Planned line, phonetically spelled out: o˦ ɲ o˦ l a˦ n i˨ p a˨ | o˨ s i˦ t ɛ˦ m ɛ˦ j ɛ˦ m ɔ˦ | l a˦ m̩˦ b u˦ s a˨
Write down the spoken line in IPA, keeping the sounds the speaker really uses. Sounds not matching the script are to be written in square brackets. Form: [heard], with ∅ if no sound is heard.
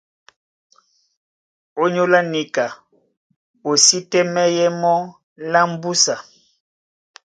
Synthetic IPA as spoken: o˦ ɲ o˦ l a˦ n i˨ [k] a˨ | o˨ s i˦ t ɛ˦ m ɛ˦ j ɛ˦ m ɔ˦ | l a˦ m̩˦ b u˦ s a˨